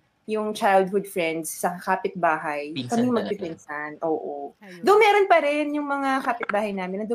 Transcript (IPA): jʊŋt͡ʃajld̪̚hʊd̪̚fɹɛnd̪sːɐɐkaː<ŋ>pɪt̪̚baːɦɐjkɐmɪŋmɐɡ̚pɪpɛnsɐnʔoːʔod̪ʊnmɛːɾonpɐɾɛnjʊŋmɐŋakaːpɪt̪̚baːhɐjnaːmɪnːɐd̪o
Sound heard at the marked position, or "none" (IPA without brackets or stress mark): none